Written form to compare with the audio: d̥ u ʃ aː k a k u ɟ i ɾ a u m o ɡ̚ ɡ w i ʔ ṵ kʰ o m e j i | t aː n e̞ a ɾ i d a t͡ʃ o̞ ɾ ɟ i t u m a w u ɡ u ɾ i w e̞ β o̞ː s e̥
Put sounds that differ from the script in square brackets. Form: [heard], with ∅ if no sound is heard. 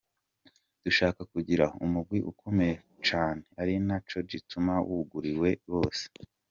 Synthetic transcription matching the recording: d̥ u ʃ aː k a k u ɟ i ɾ a u m [u] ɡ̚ ɡ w i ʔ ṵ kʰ o m e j [e] | [t͡ʃ] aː n e̞ a ɾ i [n] a t͡ʃ o̞ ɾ ɟ i t u m a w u ɡ u ɾ i w e̞ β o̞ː s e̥